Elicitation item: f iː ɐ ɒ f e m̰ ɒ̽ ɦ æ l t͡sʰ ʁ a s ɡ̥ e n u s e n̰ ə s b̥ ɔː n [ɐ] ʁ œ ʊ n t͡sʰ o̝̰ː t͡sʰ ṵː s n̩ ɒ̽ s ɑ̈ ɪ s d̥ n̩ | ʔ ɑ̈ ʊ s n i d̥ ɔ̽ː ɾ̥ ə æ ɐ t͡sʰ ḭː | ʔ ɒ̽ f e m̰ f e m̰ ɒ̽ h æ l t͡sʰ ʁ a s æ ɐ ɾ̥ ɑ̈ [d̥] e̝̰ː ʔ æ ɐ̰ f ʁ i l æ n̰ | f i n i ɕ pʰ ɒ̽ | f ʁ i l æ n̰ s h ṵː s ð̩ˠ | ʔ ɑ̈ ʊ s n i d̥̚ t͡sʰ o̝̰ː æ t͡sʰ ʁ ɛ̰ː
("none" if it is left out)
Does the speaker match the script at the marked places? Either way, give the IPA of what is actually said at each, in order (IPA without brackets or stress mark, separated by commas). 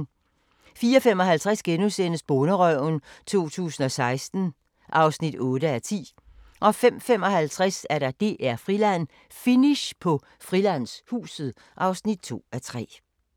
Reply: ə, d̥